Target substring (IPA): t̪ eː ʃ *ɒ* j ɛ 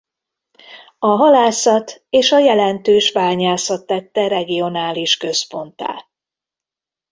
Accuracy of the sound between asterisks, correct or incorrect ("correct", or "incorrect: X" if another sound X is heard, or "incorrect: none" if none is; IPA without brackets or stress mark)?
correct